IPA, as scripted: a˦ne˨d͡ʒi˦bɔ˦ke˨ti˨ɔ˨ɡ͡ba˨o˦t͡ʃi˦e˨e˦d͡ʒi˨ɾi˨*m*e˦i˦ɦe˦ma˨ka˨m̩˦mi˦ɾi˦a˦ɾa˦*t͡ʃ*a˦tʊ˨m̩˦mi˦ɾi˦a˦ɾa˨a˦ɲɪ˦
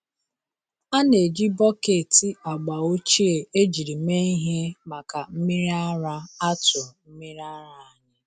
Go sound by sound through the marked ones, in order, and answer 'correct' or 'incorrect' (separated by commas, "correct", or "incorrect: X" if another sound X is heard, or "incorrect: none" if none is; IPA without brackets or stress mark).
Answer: correct, incorrect: none